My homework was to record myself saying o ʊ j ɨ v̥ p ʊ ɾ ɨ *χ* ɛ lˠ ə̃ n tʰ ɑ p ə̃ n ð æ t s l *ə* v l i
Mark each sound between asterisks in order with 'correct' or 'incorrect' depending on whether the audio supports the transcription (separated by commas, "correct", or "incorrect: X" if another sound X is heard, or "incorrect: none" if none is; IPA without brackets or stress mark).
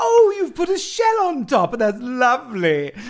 incorrect: ʃ, incorrect: ʌ